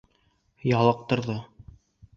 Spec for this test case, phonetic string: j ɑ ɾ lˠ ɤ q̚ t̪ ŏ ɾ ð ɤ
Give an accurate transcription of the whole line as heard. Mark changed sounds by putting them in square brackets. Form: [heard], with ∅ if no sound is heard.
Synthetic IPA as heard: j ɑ [∅] lˠ ɤ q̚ t̪ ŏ ɾ ð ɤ